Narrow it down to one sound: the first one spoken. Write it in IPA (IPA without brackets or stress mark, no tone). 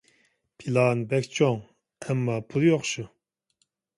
pʰ